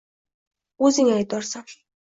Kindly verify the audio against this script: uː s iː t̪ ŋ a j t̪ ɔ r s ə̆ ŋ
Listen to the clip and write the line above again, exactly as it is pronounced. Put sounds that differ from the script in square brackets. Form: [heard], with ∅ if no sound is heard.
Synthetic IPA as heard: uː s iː [∅] ŋ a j t̪ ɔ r s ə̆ ŋ

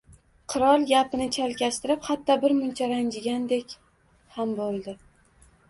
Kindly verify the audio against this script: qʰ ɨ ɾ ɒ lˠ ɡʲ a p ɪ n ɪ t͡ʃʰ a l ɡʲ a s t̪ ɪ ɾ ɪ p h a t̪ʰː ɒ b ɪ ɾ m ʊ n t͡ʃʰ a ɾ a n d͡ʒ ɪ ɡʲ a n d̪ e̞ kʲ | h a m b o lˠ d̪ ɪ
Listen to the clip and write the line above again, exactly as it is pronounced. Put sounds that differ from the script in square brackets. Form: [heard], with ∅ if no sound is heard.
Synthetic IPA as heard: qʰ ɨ ɾ ɒ lˠ ɡʲ a p ɪ n ɪ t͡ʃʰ a l [kʲ] a s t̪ ɪ ɾ ɪ p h a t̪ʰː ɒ b ɪ ɾ m ʊ n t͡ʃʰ a ɾ a n d͡ʒ ɪ ɡʲ a n d̪ e̞ kʲ | h a m b o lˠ d̪ ɪ

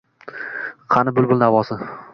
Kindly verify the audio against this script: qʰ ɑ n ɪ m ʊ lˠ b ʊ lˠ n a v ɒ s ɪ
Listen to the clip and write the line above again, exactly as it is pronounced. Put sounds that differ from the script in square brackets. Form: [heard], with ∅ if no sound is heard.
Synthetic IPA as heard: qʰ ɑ n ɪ [b] ʊ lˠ b ʊ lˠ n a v ɒ s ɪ

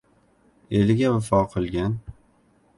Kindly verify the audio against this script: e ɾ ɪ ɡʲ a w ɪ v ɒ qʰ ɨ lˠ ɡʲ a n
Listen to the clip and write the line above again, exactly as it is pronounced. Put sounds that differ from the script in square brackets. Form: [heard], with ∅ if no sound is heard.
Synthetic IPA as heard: e [l] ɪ ɡʲ a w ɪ [f] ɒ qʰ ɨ lˠ ɡʲ a n

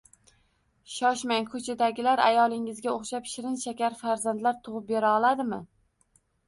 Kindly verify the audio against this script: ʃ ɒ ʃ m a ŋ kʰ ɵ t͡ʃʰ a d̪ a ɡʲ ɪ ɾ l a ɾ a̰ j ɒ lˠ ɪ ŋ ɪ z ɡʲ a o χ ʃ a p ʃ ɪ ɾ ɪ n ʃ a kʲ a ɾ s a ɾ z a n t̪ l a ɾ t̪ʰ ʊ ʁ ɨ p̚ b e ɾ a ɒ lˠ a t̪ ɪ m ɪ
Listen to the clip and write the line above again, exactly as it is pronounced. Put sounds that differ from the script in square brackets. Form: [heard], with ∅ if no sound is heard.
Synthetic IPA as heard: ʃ ɒ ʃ m a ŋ kʰ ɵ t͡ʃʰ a d̪ a ɡʲ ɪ [∅] l a ɾ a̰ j ɒ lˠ ɪ ŋ ɪ z ɡʲ a o χ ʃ a p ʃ ɪ ɾ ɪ n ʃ a kʲ a ɾ [f] a ɾ z a n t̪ l a ɾ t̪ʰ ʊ ʁ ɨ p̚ b e ɾ a ɒ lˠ a [d̪] ɪ m ɪ

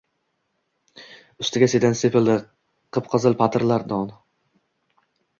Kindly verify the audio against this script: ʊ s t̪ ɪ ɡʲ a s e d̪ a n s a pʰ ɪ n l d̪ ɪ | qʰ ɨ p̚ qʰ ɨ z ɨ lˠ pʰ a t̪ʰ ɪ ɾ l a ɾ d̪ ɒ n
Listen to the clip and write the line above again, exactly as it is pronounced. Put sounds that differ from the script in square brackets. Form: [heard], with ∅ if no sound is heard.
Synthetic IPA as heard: ʊ s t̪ ɪ ɡʲ a s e d̪ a n s [e] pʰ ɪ [∅] l d̪ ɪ | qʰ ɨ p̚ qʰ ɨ z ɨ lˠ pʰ a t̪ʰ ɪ ɾ l a ɾ d̪ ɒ n

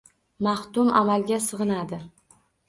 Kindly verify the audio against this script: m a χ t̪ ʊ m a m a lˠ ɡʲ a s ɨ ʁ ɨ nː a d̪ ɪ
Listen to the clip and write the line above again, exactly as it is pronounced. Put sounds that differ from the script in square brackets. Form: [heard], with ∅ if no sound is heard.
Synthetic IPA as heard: m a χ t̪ ʊ m a m a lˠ ɡʲ a s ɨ ʁ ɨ [n] a d̪ ɪ

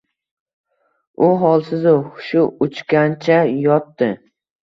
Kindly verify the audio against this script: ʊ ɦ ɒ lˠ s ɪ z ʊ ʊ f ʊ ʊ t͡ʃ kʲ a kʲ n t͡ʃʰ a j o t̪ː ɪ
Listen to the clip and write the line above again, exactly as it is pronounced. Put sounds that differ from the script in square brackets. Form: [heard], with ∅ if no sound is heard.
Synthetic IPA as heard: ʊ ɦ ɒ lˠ s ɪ z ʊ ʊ [ʃ] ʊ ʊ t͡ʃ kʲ a [∅] n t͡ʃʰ a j [ɒ] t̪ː ɪ

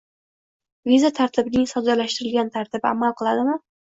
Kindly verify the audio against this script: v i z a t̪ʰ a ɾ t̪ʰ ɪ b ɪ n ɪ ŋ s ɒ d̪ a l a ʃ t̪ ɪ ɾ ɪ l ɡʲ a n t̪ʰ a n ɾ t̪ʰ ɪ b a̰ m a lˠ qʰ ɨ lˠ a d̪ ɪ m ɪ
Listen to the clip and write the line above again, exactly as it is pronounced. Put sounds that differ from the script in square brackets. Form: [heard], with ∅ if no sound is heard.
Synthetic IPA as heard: v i z a t̪ʰ a ɾ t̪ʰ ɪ b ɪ n ɪ ŋ s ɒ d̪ a l a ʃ t̪ ɪ ɾ ɪ l ɡʲ a n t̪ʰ a [∅] ɾ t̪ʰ ɪ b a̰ m a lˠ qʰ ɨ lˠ a d̪ ɪ m ɪ

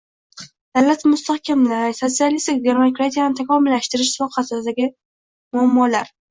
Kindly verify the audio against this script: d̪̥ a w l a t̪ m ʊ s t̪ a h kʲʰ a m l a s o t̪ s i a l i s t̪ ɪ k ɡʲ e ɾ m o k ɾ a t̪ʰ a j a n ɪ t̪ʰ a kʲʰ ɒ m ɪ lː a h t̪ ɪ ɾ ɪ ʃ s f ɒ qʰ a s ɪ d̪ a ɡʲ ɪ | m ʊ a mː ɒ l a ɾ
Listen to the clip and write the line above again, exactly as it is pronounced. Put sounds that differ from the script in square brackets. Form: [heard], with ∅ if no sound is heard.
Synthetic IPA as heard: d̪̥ a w l a t̪ m ʊ s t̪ a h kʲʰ a m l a s o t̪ s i a l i s t̪ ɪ k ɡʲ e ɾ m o k ɾ a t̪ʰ [i] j a n ɪ t̪ʰ a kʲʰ ɒ m ɪ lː a [ʃ] t̪ ɪ ɾ ɪ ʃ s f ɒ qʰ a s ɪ d̪ a ɡʲ ɪ | m ʊ a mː ɒ l a ɾ

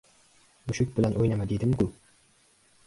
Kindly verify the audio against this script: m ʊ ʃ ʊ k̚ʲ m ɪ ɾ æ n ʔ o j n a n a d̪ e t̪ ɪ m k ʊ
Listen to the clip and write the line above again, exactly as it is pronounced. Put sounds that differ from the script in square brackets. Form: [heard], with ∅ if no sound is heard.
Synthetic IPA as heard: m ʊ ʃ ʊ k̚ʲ [b] ɪ [l] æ n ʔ o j n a [m] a d̪ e [d̪] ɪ m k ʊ

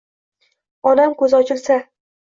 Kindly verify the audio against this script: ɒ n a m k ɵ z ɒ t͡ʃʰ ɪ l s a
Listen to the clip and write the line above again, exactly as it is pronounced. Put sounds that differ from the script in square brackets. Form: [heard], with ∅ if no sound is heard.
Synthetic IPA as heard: ɒ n a m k ɵ z ɒ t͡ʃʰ ɪ l s a

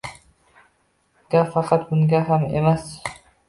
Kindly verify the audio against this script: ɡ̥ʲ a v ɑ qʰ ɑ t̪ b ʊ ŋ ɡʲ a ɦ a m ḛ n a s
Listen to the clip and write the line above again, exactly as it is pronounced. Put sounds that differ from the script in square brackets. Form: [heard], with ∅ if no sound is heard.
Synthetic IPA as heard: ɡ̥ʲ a [f] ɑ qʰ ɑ t̪ b ʊ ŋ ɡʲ a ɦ a m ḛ [m] a s

